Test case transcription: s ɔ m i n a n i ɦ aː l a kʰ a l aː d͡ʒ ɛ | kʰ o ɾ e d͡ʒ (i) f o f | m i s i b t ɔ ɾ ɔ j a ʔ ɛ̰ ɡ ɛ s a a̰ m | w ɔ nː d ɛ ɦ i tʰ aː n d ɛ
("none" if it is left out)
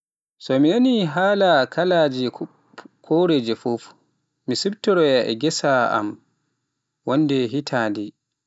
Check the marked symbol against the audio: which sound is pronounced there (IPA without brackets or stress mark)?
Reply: ɛ